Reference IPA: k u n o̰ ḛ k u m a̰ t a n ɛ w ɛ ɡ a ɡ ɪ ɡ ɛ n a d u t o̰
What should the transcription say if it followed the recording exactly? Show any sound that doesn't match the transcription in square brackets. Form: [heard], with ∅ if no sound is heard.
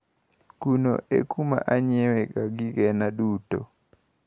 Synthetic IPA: k u n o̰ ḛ k u m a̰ [ʔ] a [ɲ] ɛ w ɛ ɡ a ɡ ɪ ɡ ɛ n a d u t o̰